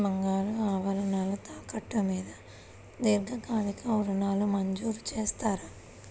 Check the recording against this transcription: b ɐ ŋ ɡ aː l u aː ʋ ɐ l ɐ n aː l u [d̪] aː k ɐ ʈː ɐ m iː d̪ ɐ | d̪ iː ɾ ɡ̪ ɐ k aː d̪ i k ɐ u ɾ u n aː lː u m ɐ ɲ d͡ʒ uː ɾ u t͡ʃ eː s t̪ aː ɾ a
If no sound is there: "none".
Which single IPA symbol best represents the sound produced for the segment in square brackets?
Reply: t̪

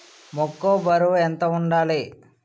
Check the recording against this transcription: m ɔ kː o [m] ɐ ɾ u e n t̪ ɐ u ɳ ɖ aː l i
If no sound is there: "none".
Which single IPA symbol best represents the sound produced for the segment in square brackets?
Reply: b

